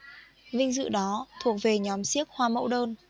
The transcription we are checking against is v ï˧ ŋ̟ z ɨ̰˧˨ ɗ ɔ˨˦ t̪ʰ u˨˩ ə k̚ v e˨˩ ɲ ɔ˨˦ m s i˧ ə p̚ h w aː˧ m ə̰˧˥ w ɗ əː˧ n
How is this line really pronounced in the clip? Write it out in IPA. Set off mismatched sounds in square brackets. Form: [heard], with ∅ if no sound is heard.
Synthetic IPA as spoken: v ï˧ ŋ̟ z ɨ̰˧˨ ɗ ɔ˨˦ t̪ʰ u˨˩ ə k̚ v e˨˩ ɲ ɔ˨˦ m s [i˦˥] ə [k̚] h w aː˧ m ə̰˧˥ w ɗ əː˧ n